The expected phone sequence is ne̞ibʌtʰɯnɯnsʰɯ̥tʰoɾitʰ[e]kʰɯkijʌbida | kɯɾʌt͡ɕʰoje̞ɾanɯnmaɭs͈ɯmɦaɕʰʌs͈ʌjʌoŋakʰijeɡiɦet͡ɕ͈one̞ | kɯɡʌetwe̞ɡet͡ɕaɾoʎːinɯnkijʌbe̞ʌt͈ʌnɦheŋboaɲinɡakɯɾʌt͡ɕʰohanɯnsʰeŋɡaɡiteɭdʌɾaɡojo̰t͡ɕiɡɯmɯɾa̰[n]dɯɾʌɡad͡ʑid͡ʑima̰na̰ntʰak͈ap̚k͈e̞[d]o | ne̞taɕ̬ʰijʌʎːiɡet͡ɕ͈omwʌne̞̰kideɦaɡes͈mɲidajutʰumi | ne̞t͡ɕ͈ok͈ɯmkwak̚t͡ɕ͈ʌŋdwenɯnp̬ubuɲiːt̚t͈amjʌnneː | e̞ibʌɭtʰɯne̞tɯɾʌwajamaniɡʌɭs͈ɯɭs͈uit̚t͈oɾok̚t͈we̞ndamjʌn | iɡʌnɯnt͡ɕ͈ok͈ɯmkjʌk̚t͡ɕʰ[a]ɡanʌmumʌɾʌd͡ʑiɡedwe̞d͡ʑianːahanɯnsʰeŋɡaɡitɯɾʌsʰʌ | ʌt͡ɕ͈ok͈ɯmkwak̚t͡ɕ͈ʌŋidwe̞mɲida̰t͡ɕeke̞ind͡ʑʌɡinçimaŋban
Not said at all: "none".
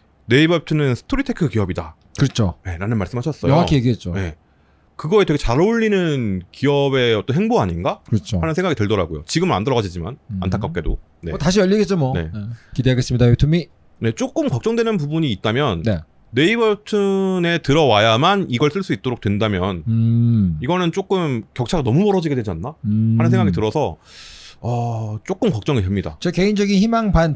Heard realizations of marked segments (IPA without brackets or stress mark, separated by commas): e, n, d, a